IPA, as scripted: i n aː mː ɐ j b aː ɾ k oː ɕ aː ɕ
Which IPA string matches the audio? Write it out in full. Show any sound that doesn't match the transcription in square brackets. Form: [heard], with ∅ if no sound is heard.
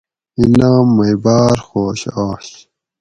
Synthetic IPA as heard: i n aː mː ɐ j b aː ɾ [x] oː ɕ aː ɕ